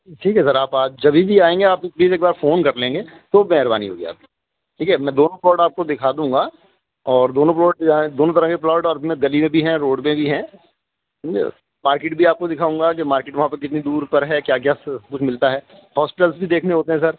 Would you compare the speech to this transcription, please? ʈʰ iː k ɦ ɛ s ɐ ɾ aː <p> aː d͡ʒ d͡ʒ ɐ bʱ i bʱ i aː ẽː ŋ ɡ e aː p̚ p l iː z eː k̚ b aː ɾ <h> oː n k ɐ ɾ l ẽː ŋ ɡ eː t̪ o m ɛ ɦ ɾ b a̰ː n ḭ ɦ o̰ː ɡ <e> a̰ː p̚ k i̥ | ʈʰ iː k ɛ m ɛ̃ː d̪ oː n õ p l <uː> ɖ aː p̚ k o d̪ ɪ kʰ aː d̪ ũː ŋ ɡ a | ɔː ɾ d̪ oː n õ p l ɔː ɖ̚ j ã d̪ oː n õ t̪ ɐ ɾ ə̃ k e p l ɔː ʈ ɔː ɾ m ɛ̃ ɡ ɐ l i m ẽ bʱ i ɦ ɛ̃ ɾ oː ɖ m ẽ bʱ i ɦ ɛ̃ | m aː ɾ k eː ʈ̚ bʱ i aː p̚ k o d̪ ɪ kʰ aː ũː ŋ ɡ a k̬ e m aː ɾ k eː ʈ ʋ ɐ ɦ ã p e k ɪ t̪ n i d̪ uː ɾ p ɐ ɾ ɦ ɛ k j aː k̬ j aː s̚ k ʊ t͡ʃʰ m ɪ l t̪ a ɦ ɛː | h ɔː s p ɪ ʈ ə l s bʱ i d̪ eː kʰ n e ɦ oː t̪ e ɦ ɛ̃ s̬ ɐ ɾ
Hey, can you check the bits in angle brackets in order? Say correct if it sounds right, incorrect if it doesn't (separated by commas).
correct, incorrect, incorrect, incorrect